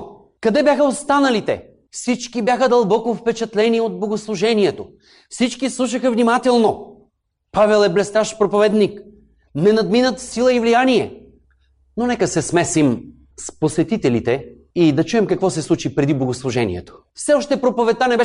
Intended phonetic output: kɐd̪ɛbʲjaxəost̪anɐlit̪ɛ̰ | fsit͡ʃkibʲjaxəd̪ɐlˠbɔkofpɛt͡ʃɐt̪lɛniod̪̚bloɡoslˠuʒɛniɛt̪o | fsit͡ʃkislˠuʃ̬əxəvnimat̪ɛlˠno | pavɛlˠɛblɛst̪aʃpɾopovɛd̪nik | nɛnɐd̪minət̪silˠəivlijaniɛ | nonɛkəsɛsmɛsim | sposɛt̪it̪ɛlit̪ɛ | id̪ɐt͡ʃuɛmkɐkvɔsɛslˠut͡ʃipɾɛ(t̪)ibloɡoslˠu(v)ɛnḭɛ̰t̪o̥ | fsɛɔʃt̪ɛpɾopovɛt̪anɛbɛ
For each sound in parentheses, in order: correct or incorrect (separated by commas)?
incorrect, incorrect